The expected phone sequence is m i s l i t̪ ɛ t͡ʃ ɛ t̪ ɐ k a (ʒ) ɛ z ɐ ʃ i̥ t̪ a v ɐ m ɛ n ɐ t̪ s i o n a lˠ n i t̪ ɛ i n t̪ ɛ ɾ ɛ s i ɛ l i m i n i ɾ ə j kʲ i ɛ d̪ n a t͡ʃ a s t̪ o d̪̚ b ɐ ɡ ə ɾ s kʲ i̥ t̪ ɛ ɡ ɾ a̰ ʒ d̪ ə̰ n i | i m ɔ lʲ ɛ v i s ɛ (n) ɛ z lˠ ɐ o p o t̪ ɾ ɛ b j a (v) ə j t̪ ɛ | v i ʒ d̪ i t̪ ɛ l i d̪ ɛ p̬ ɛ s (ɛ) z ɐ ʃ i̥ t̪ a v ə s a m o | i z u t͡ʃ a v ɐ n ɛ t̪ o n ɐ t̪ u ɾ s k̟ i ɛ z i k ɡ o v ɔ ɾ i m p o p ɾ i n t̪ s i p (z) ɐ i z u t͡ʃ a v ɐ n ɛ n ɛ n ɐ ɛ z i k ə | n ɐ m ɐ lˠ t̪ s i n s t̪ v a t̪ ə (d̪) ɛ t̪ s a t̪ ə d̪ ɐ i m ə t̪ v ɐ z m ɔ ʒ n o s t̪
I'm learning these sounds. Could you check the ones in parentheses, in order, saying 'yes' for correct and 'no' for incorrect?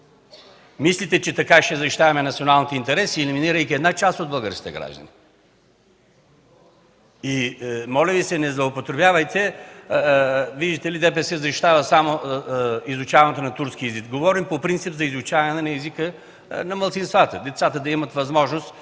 no, yes, yes, yes, yes, yes

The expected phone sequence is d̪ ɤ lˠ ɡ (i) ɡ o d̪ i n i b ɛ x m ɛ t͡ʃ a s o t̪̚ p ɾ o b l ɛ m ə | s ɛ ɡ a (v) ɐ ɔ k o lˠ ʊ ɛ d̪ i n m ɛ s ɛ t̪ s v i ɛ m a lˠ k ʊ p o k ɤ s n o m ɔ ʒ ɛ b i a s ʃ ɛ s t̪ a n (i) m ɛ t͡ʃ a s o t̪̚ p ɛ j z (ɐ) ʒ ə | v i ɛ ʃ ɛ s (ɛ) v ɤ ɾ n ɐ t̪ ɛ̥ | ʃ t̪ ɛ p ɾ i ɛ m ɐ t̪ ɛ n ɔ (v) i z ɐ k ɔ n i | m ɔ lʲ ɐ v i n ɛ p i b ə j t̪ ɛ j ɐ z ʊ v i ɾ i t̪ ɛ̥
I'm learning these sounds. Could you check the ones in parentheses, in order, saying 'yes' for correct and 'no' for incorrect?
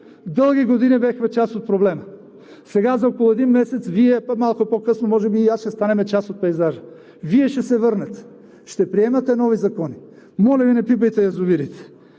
yes, no, no, no, yes, yes

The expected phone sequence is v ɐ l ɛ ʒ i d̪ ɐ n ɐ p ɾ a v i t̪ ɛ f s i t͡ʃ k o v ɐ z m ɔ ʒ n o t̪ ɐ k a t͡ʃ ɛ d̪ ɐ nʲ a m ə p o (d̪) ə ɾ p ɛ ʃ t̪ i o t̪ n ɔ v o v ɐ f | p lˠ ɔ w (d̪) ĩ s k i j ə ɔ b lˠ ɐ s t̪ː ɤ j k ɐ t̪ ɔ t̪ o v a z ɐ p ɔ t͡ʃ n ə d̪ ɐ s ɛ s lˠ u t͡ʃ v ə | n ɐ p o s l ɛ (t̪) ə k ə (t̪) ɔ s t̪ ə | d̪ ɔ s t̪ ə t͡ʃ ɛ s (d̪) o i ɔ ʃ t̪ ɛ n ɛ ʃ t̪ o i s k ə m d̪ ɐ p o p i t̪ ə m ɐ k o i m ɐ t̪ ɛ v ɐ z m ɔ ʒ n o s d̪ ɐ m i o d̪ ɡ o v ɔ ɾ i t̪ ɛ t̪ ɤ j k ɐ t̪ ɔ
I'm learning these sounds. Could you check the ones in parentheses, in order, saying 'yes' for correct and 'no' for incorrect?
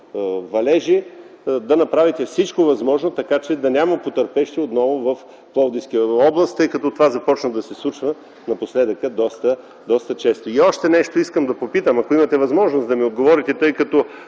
no, yes, no, no, no

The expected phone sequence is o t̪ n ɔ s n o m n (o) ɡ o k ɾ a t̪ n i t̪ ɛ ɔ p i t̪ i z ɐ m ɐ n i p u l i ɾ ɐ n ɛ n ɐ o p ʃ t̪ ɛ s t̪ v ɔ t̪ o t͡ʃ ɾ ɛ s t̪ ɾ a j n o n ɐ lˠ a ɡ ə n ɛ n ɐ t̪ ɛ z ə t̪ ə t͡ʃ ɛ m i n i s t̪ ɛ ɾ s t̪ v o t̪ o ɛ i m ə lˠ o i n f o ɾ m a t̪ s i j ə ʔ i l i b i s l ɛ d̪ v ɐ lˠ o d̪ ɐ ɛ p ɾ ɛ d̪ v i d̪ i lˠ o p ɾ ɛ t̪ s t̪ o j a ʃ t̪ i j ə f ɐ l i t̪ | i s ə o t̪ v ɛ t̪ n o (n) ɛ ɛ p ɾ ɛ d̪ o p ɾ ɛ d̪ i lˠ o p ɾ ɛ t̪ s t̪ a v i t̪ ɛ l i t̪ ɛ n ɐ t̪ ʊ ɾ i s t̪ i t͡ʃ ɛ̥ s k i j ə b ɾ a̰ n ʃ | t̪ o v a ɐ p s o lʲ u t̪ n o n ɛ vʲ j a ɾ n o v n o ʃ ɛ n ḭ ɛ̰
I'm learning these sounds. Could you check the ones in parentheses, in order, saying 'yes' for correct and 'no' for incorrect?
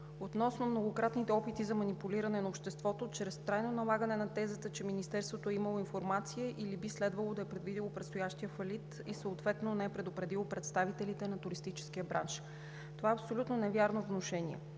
yes, yes

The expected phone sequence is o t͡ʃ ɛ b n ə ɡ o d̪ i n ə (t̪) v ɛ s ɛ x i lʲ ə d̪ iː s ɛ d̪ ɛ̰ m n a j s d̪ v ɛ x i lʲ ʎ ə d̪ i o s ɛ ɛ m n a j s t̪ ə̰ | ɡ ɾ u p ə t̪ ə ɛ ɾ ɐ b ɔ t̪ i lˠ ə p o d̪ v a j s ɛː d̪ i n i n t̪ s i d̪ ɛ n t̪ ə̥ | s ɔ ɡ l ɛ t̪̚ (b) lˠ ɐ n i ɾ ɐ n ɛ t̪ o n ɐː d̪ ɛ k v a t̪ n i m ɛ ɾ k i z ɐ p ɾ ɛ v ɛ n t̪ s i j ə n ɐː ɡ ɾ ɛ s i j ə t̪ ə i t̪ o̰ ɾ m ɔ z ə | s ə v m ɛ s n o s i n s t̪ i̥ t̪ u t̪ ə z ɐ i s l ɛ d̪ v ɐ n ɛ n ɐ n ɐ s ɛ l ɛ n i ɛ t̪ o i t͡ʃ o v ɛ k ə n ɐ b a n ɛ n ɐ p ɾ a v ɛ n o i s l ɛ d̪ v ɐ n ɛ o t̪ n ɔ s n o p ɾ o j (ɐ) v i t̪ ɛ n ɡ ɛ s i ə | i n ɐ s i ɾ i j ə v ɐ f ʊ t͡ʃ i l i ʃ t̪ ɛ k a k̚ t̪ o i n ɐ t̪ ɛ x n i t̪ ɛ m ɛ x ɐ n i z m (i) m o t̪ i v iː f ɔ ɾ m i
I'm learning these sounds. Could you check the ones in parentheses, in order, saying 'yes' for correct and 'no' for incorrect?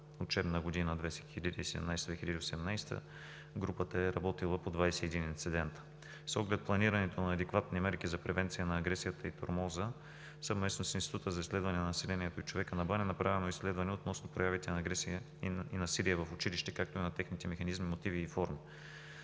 no, no, no, yes

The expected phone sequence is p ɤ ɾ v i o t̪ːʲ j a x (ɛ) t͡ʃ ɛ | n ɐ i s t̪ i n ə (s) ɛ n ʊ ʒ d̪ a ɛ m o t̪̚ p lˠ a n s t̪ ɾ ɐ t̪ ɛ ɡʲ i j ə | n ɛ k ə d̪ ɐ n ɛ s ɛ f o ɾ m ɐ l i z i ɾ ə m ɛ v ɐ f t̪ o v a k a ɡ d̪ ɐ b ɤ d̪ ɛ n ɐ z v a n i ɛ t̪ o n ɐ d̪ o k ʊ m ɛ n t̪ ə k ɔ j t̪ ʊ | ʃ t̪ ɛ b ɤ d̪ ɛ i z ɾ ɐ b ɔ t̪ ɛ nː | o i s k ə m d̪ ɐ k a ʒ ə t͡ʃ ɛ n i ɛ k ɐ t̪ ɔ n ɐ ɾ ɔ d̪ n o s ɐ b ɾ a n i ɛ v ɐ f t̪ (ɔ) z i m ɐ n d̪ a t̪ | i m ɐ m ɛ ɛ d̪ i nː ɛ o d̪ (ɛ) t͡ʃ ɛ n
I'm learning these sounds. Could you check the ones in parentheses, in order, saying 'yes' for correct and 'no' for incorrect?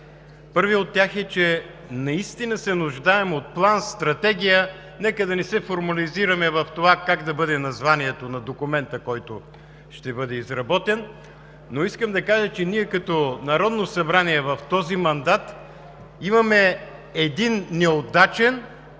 yes, yes, yes, no

